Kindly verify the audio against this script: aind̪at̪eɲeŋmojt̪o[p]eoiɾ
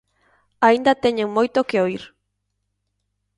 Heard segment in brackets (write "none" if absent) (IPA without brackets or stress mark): k